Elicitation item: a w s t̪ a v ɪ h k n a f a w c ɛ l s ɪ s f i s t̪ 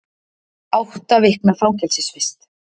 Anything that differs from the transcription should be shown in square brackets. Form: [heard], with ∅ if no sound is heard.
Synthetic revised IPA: a w [h] t̪ a v ɪ h k n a f a w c ɛ l s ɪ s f [ɪ] s t̪